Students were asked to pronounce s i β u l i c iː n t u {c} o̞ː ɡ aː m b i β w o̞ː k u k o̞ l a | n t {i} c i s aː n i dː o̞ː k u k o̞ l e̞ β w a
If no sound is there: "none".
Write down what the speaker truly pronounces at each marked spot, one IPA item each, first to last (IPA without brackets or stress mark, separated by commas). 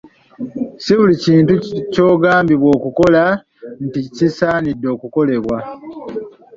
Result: c, i